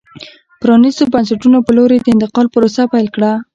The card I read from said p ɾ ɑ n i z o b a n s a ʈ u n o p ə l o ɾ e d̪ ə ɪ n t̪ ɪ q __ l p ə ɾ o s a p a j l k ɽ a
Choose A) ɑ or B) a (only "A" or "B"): A